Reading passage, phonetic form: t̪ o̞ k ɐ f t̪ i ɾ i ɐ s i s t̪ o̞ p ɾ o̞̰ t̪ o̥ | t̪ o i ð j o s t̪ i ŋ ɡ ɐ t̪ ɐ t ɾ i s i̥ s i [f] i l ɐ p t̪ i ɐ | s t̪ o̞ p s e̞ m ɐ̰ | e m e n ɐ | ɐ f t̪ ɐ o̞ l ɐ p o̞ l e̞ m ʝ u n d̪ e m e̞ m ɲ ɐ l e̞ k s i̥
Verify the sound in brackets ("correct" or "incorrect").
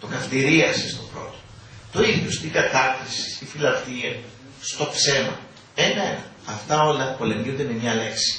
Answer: correct